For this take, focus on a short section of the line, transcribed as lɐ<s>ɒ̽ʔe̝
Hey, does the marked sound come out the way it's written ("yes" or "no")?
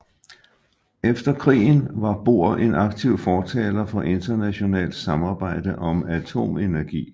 no